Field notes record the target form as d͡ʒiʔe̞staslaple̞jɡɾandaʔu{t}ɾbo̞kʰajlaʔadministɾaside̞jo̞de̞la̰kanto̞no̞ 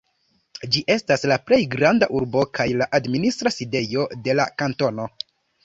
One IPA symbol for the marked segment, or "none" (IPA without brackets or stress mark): none